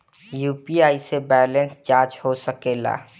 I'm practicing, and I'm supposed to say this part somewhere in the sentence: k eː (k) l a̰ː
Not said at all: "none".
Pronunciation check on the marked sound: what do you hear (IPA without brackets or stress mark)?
none